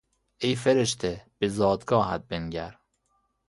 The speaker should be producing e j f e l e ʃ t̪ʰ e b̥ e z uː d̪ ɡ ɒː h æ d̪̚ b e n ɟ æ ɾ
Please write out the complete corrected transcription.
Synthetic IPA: e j f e ɾ e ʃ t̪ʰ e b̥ e z ɒː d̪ ɡ ɒː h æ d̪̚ b e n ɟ æ ɾ